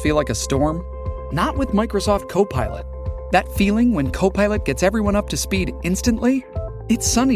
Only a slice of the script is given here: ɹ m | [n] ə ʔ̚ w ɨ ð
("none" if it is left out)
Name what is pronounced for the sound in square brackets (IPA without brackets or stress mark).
n